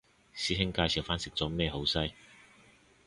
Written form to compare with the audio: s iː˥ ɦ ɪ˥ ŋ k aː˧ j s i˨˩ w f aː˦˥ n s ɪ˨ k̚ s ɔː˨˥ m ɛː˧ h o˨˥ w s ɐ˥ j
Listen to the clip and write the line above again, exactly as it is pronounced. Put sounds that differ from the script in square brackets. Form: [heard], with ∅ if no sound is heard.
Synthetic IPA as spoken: s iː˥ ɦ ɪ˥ ŋ k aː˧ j s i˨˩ w f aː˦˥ n s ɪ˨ k̚ [t͡s] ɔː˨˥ m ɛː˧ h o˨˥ w s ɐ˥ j